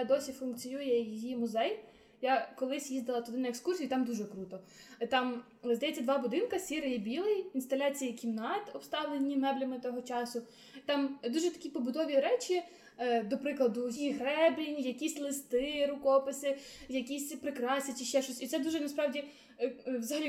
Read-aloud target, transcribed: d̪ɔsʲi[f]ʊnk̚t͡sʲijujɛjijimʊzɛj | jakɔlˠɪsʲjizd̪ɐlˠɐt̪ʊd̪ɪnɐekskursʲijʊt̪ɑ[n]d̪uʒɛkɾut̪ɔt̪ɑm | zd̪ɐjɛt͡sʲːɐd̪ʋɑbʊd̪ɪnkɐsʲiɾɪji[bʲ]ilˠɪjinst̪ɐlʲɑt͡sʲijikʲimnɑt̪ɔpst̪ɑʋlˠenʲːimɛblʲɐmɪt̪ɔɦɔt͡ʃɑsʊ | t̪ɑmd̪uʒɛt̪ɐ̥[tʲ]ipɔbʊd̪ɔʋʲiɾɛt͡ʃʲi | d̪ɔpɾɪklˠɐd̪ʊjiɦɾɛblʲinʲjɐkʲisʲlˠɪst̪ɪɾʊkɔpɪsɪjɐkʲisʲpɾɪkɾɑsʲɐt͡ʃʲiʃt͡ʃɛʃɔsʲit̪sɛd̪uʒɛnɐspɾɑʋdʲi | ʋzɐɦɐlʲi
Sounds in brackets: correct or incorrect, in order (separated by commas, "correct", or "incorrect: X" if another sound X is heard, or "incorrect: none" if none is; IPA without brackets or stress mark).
correct, incorrect: m, correct, incorrect: kʲ